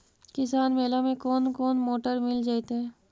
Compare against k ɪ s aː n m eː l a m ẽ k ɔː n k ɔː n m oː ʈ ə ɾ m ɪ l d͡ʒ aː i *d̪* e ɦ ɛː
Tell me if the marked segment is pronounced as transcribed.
no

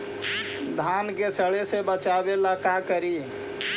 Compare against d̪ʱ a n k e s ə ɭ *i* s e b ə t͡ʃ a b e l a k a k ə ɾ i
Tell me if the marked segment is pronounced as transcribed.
no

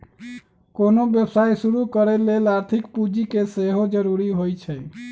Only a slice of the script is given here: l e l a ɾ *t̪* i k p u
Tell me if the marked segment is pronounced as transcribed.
no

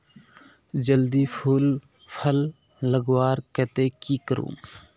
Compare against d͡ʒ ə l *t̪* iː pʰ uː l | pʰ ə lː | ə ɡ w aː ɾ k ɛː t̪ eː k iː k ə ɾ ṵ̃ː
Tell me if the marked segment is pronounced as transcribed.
no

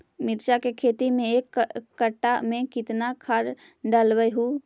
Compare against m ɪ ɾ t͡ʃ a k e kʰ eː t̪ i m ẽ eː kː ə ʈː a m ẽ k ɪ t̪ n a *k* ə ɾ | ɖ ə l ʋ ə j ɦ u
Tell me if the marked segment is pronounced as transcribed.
no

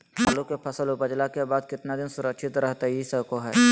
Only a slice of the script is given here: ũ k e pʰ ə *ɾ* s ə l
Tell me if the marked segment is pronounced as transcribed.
no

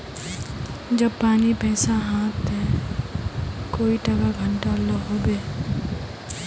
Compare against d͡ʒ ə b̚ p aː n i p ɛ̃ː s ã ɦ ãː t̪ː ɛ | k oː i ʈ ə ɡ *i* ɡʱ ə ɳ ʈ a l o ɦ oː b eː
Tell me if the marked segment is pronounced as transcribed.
no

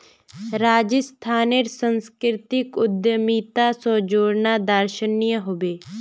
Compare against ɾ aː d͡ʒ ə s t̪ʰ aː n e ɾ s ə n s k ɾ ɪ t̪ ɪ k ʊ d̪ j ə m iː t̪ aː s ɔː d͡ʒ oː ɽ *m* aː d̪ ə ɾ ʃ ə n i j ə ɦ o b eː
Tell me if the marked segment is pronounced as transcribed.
no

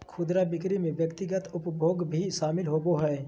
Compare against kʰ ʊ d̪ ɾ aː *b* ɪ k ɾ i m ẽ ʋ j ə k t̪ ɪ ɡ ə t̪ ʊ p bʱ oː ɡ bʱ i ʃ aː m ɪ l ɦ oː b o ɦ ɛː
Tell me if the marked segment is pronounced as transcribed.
yes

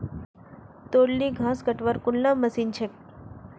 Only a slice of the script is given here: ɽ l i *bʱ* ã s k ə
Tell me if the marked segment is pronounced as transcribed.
no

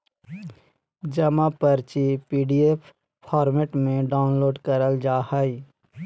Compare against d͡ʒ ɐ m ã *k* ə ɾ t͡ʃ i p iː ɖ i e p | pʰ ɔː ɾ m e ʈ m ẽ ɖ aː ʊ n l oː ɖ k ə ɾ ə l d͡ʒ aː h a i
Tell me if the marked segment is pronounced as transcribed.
no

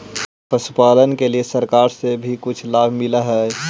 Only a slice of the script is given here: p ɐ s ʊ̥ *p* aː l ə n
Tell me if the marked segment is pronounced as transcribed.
yes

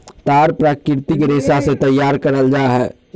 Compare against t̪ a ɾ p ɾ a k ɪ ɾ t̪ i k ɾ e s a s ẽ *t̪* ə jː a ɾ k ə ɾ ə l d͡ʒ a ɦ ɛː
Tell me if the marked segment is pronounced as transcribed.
yes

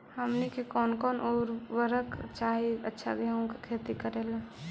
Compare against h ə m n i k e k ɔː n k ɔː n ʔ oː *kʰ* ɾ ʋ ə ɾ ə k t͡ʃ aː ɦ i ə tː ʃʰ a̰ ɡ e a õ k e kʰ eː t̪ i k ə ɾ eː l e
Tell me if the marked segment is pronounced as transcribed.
no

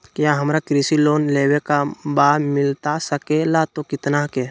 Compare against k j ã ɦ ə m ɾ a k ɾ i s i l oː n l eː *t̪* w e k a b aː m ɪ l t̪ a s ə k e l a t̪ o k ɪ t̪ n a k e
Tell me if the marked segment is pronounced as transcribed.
no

